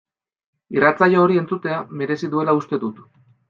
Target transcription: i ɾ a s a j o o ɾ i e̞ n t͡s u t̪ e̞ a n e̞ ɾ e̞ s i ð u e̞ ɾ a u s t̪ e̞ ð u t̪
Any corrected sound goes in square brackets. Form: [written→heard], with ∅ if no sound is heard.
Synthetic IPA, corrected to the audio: i [ɾ→r] a [s→t͡s] a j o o ɾ i e̞ n t͡s u t̪ e̞ a [n→m] e̞ ɾ e̞ s i ð u e̞ [ɾ→l] a u s t̪ e̞ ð u t̪